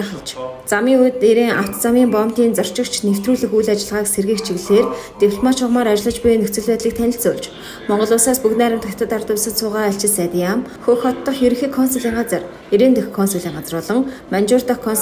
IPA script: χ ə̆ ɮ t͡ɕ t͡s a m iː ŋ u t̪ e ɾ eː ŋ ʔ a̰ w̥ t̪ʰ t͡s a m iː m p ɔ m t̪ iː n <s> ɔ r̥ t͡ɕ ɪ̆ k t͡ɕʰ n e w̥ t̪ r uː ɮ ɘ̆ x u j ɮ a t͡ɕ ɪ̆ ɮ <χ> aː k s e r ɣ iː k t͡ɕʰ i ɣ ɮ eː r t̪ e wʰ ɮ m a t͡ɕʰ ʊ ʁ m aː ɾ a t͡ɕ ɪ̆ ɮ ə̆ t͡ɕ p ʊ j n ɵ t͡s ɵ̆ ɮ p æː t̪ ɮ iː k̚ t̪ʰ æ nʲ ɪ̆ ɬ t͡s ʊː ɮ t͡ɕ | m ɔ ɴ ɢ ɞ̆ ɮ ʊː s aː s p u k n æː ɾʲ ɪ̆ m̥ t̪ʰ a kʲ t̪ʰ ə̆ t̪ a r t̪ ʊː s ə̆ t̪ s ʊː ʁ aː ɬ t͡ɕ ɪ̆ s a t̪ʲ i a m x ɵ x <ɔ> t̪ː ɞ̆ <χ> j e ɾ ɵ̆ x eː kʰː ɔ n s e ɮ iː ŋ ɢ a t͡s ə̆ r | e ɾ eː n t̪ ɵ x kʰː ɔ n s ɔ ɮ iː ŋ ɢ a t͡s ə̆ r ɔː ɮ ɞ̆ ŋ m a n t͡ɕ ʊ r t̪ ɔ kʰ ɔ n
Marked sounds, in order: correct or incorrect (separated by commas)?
incorrect, incorrect, correct, correct